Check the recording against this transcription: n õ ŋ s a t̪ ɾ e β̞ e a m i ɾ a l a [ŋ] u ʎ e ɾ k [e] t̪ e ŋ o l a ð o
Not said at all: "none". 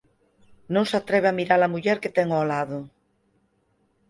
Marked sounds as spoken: m, e

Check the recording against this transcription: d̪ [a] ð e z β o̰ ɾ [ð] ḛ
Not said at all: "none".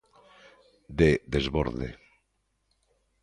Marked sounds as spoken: e, ð

